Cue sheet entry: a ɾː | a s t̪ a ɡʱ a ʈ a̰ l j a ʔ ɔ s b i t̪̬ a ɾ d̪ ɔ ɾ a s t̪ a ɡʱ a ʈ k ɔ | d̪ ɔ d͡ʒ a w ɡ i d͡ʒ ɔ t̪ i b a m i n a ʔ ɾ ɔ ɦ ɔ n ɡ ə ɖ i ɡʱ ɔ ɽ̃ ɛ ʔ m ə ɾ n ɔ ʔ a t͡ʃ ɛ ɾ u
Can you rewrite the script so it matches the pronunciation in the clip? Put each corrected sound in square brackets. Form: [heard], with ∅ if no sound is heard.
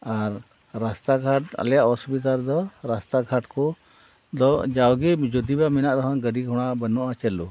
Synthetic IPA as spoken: a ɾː | a s t̪ a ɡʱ a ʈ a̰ l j a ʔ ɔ s b i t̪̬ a ɾ d̪ ɔ ɾ a s t̪ a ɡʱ a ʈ k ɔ | d̪ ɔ d͡ʒ a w ɡ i d͡ʒ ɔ [d̪] i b a m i n a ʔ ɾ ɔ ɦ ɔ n ɡ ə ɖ i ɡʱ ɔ ɽ̃ [a] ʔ [b] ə [∅] n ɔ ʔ a t͡ʃ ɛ [l] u